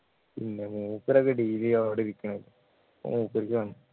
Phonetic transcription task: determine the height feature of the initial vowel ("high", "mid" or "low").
high